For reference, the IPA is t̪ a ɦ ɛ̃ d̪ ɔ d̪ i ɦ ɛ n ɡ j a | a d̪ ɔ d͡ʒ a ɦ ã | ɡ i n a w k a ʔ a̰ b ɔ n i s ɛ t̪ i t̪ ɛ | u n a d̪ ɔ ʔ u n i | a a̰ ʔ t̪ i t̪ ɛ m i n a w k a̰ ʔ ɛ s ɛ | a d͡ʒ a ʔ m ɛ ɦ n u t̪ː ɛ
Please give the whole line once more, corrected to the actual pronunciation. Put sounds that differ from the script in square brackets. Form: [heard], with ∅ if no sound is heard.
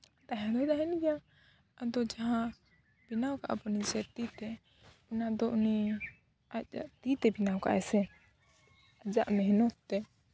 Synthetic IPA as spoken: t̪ a ɦ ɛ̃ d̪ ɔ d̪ [a] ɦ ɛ n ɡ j a | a d̪ ɔ d͡ʒ a ɦ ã | [b] i n a w k a ʔ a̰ b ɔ n i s ɛ t̪ i t̪ ɛ | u n a d̪ ɔ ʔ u n i | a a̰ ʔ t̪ i t̪ ɛ [b] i n a w k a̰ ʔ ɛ s ɛ | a d͡ʒ a ʔ m ɛ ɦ n [ɔ] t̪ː ɛ